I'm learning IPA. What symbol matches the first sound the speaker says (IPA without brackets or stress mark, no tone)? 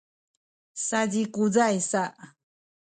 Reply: s